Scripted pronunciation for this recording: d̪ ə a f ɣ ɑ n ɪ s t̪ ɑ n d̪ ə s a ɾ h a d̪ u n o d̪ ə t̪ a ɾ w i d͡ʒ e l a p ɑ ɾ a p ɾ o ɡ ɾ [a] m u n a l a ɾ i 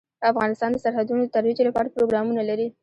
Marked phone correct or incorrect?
incorrect